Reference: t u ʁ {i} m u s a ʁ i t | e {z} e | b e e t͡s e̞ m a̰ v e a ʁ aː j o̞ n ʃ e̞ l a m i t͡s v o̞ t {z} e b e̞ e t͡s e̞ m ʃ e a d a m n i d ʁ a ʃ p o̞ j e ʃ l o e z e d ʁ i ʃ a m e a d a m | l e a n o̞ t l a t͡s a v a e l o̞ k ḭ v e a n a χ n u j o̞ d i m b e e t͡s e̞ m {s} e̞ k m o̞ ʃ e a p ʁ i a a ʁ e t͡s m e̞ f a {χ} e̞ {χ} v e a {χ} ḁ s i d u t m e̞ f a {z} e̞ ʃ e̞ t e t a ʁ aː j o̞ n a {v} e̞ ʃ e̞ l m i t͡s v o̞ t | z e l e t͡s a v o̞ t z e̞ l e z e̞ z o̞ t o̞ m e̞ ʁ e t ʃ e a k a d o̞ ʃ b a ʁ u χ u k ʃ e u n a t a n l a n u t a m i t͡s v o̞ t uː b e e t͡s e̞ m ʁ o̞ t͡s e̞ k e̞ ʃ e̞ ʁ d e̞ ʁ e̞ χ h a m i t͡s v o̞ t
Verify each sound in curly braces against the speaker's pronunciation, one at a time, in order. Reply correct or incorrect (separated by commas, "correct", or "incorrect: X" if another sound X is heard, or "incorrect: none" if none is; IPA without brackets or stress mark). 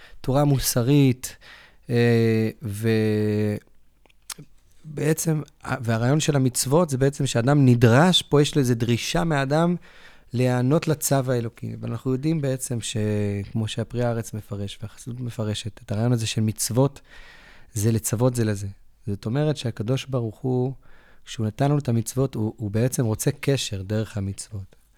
incorrect: a, incorrect: v, correct, incorrect: ʃ, incorrect: ʁ, incorrect: ʃ, correct, incorrect: ʁ, incorrect: z